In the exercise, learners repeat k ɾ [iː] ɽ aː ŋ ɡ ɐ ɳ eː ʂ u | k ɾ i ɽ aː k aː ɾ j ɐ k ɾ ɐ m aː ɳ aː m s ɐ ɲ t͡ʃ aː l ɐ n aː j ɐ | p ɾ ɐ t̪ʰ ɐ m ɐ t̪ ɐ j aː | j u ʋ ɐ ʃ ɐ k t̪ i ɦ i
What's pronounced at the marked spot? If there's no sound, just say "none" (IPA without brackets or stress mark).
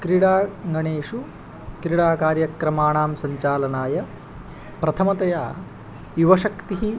i